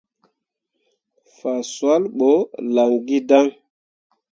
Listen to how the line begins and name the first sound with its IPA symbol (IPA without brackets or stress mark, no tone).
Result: f